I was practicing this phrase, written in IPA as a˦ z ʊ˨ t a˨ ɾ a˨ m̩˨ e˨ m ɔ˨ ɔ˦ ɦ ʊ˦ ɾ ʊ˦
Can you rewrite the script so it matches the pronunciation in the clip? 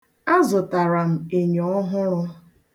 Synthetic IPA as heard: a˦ z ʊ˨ t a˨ ɾ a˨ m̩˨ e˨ ɲ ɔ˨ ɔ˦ ɦ ʊ˦ ɾ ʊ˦